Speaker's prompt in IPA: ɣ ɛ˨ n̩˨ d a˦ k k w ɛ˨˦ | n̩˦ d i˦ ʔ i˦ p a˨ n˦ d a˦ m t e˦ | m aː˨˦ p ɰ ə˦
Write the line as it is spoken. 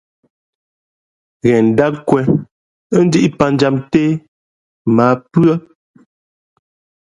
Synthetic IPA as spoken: ɣ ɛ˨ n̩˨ d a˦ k k w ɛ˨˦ | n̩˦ d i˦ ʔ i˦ p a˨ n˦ d͡ʒ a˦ m t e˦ | m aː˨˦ p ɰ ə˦